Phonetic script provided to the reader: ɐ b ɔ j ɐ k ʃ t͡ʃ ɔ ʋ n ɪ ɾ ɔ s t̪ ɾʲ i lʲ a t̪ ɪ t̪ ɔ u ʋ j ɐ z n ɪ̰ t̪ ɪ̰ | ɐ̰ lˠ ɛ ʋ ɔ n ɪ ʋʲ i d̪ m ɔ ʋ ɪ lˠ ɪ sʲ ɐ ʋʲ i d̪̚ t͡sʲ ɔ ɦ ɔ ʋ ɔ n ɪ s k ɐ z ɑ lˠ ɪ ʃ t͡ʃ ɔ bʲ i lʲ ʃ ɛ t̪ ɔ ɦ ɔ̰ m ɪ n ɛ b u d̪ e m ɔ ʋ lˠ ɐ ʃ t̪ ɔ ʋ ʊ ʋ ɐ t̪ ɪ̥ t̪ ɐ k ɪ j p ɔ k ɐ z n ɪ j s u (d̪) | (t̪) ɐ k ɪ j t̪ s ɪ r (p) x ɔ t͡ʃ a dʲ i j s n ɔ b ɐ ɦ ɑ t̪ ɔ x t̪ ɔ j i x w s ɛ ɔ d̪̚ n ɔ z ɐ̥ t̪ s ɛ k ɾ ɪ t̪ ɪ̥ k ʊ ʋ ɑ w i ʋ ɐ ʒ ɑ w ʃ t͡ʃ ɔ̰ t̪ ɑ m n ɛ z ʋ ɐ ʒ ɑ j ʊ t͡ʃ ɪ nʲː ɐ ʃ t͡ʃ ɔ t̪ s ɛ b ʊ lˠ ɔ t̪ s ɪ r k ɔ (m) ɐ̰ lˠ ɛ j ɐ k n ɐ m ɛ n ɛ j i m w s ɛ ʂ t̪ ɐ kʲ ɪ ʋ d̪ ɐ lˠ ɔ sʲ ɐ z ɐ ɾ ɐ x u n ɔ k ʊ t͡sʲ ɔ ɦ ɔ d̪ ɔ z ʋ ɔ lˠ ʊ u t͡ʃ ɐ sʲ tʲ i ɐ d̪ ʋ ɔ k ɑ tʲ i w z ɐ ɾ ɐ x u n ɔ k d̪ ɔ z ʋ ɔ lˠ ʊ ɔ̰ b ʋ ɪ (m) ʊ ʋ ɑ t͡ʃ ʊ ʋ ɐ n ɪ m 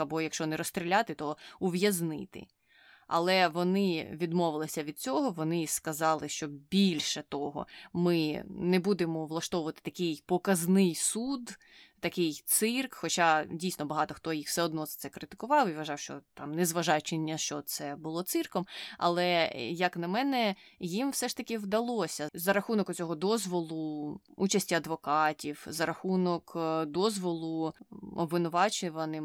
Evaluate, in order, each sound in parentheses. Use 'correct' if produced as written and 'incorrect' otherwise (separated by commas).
correct, correct, incorrect, correct, incorrect